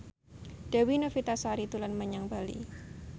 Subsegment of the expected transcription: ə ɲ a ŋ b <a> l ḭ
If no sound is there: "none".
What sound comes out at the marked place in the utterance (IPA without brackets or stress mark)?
a